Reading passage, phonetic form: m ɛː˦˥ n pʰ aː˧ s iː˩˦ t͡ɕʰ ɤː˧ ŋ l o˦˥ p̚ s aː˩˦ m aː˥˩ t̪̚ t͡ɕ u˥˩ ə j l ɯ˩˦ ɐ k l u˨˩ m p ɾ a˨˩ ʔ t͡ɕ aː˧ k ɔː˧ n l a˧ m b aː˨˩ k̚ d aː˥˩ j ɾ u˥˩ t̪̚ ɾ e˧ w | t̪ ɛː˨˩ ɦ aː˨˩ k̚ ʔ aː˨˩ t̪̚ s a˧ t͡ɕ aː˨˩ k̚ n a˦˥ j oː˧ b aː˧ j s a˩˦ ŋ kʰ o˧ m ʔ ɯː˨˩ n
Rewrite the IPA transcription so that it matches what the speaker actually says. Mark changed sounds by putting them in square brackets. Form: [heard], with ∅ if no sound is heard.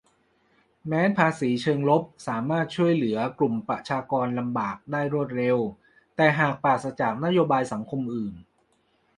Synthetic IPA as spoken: m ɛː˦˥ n pʰ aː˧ s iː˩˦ t͡ɕʰ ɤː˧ ŋ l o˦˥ p̚ s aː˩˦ m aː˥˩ t̪̚ [t͡ɕʰ] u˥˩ ə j l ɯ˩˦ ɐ k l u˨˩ m p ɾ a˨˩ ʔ [t͡ɕʰ] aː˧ k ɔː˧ n l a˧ m b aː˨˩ k̚ d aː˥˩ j ɾ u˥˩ t̪̚ ɾ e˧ w | t̪ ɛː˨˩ ɦ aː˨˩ k̚ [p] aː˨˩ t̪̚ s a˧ t͡ɕ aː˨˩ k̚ n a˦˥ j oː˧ b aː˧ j s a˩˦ ŋ kʰ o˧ m ʔ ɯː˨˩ n